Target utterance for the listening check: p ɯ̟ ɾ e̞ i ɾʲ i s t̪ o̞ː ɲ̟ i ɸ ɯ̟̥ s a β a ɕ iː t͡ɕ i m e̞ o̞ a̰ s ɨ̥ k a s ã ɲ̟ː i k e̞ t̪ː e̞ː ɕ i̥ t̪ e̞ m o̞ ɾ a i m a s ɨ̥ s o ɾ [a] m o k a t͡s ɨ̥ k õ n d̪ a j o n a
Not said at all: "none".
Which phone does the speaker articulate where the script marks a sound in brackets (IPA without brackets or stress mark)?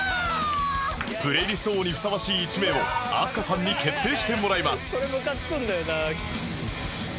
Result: e